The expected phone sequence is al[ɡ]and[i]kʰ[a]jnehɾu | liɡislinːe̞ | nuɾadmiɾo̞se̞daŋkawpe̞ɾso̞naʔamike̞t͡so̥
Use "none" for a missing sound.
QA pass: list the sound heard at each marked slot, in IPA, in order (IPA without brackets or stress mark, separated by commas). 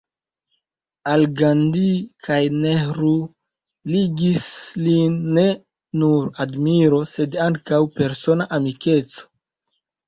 ɡ, i, a